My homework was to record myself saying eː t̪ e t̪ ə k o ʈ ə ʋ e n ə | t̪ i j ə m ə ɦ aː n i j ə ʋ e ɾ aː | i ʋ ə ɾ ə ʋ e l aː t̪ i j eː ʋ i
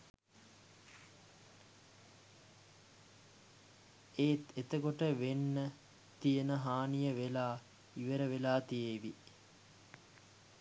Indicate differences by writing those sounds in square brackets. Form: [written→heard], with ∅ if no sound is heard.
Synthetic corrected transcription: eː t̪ e t̪ ə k o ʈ ə ʋ e [n→nː] ə | t̪ i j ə [m→n] ə ɦ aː n i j ə ʋ e [ɾ→l] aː | i ʋ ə ɾ ə ʋ e l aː t̪ i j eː ʋ i